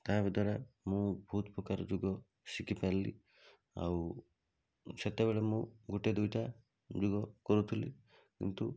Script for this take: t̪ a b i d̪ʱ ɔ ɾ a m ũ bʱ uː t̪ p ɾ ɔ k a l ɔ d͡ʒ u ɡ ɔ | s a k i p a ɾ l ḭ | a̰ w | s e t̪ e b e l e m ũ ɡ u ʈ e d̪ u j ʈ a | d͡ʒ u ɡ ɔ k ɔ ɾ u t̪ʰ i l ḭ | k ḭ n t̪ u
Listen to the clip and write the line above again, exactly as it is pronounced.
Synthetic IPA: t̪ a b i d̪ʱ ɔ ɾ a m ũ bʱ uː t̪ p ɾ ɔ k a ɾ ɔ d͡ʒ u ɡ ɔ | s i k i p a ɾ l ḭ | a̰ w | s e t̪ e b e ɭ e m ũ ɡ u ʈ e d̪ u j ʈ a | d͡ʒ u ɡ ɔ k ɔ ɾ u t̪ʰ i l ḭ | k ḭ n t̪ u